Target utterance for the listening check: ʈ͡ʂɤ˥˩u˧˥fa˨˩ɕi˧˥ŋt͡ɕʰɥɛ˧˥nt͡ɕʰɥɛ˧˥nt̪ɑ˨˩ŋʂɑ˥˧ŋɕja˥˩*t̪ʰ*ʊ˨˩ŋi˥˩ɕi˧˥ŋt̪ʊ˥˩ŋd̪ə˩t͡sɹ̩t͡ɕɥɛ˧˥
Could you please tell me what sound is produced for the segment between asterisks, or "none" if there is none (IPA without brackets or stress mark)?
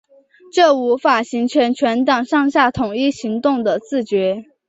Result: t̪ʰ